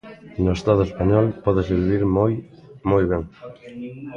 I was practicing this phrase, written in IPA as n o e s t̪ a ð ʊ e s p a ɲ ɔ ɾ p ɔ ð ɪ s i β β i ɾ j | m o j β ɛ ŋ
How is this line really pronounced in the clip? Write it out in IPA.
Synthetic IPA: n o e s t̪ a ð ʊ e s p a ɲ ɔ l p ɔ ð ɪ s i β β i ɾ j | m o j β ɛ ŋ